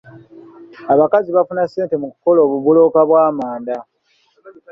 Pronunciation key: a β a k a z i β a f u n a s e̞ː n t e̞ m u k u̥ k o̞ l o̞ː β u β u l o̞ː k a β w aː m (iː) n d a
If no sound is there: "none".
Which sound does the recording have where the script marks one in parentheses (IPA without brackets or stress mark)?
aː